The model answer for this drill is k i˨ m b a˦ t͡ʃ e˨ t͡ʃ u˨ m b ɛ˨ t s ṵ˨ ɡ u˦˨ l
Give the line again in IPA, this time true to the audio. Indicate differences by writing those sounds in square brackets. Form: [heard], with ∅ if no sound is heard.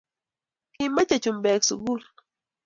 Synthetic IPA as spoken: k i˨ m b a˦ t͡ʃ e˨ t͡ʃ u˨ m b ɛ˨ [k] s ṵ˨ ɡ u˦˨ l

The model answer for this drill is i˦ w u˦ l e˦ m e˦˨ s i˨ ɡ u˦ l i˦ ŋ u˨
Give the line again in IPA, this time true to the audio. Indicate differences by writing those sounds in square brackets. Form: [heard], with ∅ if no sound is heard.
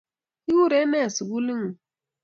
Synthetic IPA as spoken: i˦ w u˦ [ɾ] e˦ m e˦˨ s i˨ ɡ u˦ l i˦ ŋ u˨

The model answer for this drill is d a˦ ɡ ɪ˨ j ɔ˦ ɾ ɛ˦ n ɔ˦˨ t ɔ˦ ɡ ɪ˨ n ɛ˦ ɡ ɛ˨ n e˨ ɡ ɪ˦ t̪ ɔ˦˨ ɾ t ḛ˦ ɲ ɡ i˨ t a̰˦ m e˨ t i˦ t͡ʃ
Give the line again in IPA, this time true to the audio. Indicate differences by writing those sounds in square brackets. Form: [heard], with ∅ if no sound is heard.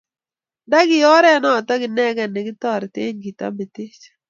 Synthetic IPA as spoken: d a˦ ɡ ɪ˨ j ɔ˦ ɾ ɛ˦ n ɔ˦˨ t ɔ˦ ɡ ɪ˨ n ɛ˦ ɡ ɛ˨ n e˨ ɡ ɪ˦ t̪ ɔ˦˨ ɾ t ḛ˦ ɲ ɡ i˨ t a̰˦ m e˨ t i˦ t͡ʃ

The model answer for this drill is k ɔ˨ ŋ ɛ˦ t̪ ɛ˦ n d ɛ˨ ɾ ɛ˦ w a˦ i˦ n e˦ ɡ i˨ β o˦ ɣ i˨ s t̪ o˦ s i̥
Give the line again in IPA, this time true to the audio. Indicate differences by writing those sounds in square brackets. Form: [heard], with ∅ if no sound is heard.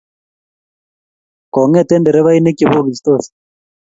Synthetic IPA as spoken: k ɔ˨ ŋ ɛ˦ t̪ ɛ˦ n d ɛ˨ ɾ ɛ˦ [β] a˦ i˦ n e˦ [k] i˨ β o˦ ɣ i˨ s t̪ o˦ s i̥

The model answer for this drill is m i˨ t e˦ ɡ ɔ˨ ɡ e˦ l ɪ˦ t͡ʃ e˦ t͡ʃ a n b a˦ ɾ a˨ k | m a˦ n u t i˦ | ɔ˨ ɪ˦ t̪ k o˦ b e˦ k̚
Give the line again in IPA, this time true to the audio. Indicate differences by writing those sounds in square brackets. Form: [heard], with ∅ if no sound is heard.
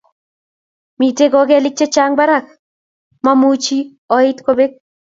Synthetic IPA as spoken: m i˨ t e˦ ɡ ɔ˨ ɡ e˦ l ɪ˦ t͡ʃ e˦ t͡ʃ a [ŋ] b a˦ ɾ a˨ k | m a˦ [m] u [t͡ʃ] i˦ | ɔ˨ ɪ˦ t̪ k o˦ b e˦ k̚

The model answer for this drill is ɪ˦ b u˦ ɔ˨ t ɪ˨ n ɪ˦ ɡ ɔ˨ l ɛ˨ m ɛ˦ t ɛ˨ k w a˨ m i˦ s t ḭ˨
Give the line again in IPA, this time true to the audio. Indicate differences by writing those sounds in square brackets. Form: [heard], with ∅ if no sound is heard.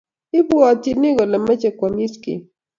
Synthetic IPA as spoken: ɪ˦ b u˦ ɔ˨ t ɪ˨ n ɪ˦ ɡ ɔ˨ l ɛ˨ m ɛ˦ [t͡ʃ] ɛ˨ k w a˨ m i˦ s [k] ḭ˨

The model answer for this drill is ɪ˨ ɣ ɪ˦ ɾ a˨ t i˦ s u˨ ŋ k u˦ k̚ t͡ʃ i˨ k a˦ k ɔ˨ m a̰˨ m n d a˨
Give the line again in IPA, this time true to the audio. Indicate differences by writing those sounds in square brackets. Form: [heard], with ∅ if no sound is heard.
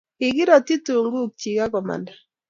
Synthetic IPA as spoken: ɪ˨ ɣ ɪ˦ ɾ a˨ t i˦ [t] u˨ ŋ [ɡ] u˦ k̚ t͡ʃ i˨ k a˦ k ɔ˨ m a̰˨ [∅] n d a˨

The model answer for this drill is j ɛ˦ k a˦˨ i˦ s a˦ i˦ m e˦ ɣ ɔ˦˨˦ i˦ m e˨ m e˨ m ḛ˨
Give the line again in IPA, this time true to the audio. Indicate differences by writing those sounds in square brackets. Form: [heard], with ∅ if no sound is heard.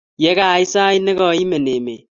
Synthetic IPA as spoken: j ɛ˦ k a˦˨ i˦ s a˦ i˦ [n] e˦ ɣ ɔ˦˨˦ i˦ m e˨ [n] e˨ m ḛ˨

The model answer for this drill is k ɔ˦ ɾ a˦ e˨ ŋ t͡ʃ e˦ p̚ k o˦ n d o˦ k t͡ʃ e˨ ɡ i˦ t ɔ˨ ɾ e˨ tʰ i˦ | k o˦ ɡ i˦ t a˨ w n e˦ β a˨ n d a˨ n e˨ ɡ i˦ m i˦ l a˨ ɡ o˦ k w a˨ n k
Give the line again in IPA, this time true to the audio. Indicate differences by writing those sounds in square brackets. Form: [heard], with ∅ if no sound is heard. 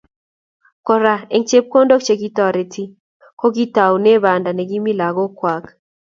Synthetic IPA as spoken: k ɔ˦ ɾ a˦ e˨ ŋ t͡ʃ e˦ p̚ k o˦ n d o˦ k t͡ʃ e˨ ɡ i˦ t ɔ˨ ɾ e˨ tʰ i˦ | k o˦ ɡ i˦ t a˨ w n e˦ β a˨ n d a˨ n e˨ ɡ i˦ m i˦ l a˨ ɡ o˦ k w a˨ [∅] k

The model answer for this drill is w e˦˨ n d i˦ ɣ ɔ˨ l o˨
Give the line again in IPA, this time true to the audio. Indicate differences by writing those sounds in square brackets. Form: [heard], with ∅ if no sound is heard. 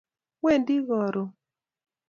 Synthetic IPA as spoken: w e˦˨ n d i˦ ɣ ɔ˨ [ɾ] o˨

